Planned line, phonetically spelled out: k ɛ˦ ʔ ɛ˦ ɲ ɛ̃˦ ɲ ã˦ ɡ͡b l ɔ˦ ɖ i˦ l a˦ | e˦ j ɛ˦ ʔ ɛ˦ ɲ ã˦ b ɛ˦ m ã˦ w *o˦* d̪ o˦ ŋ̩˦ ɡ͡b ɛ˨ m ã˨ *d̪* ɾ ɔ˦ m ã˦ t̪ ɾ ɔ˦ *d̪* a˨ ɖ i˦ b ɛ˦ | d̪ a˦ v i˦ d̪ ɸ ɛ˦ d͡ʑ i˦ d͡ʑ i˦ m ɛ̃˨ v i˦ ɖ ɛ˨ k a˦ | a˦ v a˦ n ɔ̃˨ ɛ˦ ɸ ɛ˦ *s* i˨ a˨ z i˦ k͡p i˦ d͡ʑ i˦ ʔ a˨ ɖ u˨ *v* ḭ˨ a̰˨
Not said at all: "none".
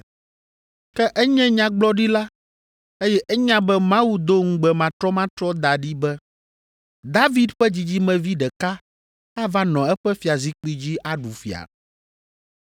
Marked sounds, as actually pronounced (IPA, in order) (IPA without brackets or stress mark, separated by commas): u˦, t̪, d̪, f, f